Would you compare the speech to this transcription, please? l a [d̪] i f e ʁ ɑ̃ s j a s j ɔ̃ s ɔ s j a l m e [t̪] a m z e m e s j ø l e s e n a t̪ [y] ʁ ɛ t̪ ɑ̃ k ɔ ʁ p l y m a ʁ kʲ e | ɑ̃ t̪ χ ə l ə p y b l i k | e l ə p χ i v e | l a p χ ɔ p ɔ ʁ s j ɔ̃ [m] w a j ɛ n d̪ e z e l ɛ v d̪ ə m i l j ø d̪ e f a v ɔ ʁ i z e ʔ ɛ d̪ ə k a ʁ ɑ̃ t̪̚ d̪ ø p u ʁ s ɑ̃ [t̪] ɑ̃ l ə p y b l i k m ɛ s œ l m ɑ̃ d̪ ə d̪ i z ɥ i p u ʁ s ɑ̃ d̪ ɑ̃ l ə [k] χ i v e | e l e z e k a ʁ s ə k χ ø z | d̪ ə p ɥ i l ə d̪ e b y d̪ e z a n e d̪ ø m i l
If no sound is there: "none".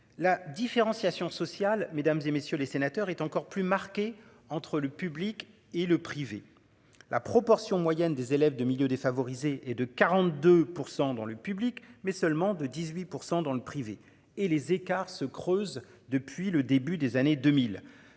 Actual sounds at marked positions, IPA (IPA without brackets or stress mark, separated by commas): d̪, d̪, œ, m, d̪, p